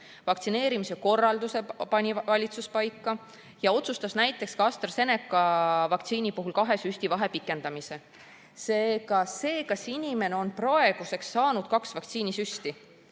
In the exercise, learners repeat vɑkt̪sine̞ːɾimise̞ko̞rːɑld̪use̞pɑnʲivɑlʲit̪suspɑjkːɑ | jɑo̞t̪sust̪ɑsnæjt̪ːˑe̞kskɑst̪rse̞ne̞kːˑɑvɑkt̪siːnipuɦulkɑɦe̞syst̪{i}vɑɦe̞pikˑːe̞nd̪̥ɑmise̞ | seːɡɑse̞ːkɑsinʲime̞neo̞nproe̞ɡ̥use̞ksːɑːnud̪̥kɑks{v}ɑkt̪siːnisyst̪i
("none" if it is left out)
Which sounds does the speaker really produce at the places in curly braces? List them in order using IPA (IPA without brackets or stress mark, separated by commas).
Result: i, v